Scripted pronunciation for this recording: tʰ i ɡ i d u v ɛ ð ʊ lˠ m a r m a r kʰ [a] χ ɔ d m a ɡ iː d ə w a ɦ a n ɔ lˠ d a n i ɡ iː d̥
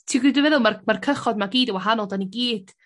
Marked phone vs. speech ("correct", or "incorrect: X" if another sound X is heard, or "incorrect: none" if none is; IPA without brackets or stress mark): incorrect: ə